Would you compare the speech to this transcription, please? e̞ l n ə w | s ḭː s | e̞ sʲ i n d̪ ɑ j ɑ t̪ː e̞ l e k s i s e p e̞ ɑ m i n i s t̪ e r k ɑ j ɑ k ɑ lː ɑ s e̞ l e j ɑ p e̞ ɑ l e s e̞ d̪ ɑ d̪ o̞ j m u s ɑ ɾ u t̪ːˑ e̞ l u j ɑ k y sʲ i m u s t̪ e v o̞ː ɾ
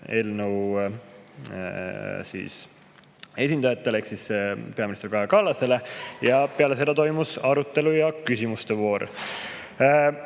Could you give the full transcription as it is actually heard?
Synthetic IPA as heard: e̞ l n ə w | s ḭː s | e̞ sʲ i n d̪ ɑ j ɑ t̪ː e̞ l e k s i s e p e̞ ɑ m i n i s t̪ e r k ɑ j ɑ k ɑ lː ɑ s e̞ l e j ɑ p e̞ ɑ l e s e̞ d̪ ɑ t̪ o̞ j m u s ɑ ɾ u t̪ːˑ e̞ l u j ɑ k y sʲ i m u s t̪ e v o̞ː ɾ